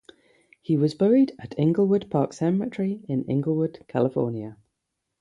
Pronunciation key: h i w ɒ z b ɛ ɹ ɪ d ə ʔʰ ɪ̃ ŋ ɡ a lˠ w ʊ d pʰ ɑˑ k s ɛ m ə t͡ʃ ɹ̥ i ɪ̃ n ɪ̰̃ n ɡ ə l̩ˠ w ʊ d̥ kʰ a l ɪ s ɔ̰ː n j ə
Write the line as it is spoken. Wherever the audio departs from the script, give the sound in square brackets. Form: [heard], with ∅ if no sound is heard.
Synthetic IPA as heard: h i w ɒ z b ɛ ɹ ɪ d ə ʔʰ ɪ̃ ŋ ɡ [ə] lˠ w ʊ d pʰ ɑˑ k s ɛ m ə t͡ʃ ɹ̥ i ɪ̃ n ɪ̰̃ [ŋ] ɡ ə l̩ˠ w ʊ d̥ kʰ a l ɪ [f] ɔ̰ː n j ə